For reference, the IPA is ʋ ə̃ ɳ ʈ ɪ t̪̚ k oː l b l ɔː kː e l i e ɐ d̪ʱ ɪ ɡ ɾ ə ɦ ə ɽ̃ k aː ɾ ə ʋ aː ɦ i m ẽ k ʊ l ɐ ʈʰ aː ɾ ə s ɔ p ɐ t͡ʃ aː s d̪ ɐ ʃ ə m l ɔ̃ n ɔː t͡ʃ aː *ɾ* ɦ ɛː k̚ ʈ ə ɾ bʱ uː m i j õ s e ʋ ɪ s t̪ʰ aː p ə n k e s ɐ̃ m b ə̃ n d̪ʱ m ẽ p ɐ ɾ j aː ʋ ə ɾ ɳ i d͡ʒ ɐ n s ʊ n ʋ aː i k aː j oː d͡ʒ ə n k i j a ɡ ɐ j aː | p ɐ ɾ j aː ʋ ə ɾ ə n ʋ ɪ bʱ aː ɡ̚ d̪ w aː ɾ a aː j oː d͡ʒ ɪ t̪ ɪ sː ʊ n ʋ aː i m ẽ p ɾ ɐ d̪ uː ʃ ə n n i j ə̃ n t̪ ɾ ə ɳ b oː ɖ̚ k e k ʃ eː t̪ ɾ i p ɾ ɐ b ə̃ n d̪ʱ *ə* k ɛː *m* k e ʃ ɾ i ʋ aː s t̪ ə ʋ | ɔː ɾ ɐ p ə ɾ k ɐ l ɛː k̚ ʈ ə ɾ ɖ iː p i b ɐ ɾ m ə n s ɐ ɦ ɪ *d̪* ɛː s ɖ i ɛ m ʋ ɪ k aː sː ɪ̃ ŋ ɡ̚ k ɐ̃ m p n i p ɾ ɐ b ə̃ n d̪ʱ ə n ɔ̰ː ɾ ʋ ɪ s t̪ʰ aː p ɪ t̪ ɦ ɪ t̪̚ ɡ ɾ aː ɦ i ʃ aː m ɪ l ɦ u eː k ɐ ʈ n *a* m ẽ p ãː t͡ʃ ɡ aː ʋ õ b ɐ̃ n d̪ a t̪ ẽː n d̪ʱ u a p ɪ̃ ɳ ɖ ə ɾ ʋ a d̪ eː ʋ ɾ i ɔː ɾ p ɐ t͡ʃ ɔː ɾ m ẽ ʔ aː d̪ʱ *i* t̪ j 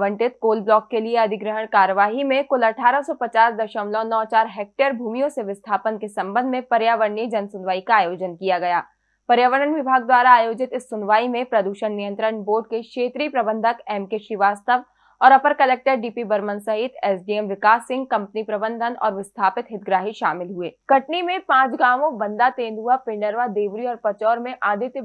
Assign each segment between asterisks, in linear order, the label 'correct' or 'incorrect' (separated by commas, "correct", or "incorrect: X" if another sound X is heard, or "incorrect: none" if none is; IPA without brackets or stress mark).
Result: correct, correct, correct, incorrect: t̪, incorrect: i, incorrect: ɪ